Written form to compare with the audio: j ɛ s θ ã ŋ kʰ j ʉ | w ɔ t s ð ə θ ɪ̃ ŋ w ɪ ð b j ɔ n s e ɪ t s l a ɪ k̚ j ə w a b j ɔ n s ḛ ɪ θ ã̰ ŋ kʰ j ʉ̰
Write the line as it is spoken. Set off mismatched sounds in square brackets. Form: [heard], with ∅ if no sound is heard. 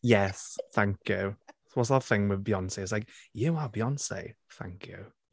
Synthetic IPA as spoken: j ɛ s θ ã ŋ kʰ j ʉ | w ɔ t s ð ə θ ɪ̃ ŋ w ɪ ð b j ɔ n s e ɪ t s l a ɪ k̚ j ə w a b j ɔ n s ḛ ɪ θ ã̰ ŋ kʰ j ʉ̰